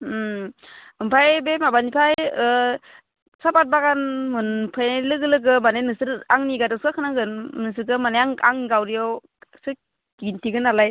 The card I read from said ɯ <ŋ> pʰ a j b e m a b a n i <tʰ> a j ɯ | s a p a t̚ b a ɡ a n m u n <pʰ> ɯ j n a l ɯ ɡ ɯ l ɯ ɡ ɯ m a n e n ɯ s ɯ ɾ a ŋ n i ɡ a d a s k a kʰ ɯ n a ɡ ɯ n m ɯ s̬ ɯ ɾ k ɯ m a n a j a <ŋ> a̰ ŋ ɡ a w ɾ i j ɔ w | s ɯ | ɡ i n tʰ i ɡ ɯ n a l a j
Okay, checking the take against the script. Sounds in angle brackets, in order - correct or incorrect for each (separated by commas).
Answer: incorrect, incorrect, correct, correct